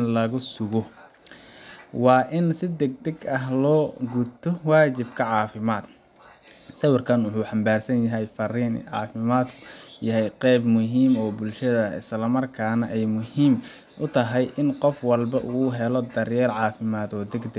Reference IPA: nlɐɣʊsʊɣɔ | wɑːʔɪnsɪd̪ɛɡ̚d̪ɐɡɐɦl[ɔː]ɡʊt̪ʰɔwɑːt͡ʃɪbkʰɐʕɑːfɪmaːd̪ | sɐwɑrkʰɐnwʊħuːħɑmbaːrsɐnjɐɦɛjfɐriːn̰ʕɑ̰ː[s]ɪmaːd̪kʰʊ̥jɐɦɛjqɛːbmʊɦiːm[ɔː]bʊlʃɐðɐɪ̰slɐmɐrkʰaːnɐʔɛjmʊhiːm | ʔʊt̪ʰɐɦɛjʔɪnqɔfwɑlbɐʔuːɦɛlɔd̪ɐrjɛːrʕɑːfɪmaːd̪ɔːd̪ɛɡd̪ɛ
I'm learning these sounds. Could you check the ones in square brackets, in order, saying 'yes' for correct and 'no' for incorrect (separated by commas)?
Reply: yes, no, yes